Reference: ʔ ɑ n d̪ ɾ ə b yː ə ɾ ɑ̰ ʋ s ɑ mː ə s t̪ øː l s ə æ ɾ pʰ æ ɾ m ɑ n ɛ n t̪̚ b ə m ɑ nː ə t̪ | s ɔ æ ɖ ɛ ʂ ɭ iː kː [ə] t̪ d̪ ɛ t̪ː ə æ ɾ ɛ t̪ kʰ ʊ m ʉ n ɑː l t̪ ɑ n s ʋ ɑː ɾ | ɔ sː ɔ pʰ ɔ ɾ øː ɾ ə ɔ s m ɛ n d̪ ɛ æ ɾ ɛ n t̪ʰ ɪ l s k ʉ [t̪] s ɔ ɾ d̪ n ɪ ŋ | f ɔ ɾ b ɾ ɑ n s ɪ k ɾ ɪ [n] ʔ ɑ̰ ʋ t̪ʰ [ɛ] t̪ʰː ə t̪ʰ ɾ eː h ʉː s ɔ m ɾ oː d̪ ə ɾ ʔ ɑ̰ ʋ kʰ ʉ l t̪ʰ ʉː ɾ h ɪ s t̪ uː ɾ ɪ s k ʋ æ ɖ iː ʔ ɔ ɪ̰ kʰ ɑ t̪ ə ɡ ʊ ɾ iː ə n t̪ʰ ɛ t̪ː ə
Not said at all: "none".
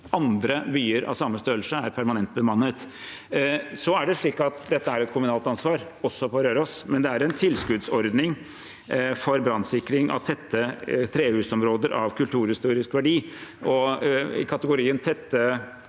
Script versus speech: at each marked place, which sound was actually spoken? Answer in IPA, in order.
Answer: ɑ, d̪, ŋ, ɛ

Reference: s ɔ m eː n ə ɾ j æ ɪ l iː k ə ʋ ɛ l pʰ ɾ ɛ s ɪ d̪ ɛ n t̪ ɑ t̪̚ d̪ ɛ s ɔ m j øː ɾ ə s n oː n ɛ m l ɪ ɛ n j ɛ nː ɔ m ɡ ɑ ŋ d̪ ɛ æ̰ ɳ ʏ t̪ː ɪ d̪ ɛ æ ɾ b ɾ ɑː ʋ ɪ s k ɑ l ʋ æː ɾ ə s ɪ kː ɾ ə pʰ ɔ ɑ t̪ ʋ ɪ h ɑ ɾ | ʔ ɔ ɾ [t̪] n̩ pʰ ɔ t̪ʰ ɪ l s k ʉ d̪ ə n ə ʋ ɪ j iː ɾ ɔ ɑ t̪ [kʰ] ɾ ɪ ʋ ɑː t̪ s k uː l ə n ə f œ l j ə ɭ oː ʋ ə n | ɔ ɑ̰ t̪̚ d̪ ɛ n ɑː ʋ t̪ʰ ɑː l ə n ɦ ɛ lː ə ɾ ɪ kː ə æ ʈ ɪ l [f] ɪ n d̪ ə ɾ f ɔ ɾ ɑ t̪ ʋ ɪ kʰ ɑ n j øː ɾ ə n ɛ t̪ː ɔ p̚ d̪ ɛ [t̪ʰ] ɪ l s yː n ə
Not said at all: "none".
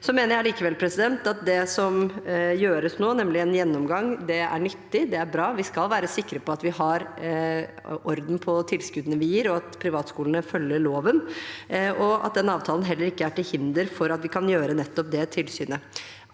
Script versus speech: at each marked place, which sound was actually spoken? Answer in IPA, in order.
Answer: d̪, pʰ, h, t̪ʰ

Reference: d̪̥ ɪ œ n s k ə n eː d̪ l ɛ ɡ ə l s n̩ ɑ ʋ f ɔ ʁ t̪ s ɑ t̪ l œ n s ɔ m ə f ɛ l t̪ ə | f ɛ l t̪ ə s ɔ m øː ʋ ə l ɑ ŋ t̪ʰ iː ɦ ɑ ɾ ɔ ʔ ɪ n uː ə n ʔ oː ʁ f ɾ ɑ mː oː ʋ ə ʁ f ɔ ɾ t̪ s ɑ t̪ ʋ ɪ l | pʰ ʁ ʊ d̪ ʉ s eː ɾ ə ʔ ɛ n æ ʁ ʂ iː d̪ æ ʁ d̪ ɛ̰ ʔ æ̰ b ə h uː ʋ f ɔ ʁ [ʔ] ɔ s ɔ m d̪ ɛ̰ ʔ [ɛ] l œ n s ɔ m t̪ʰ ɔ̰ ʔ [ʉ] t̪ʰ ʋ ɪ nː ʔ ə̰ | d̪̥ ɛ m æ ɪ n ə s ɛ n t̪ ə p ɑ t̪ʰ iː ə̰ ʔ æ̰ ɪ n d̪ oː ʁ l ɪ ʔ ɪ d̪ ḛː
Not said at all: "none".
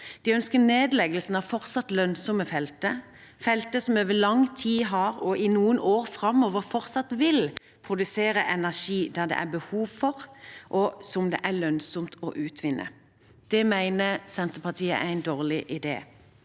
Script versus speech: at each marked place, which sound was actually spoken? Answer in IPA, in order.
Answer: ʔ, æ, ʉː

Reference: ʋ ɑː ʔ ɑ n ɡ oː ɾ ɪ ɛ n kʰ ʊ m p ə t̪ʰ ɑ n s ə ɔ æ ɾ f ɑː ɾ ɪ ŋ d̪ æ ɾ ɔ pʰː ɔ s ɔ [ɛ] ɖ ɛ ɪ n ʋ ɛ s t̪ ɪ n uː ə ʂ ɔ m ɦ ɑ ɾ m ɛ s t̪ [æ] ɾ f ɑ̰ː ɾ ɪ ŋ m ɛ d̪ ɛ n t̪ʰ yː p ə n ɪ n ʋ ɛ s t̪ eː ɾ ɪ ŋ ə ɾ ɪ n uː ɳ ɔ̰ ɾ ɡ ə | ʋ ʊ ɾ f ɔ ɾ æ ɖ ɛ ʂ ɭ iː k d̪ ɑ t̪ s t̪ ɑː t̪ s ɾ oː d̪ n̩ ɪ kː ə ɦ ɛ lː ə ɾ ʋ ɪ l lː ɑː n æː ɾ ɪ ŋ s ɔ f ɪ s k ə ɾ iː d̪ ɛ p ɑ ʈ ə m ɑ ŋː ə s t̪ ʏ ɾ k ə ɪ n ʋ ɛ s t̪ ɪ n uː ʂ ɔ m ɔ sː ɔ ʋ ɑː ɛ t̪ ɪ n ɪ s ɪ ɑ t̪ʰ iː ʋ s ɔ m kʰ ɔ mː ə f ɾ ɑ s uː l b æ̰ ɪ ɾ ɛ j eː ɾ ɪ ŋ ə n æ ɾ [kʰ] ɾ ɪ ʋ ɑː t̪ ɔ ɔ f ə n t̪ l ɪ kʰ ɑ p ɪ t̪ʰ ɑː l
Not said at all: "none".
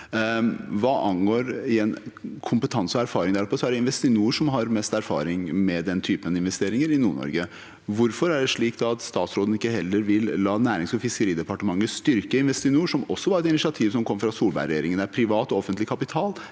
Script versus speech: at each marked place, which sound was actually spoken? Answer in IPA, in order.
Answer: æ, æ, pʰ

